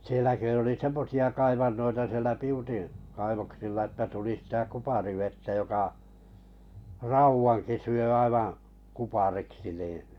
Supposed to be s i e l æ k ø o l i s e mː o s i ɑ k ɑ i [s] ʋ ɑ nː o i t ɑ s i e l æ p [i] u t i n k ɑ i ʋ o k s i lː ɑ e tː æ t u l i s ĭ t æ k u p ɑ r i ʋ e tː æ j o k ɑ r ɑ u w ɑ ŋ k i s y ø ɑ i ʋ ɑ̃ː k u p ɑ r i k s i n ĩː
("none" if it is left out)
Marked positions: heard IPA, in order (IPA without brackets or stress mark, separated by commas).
none, i